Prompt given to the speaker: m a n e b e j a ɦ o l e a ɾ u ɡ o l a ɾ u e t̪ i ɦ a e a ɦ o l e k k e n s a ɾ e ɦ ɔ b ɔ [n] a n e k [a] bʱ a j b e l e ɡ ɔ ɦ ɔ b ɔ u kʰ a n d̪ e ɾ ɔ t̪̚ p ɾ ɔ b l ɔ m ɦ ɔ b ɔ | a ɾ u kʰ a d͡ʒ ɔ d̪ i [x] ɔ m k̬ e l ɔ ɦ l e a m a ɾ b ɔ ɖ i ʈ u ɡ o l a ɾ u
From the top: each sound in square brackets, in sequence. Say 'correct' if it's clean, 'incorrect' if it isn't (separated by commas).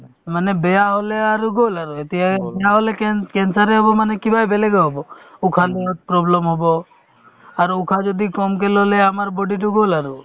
incorrect, incorrect, incorrect